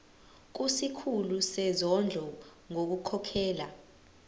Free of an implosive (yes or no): yes